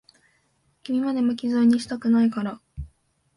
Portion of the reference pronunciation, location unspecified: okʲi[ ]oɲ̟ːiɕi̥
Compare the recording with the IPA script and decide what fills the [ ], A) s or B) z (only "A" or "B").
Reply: B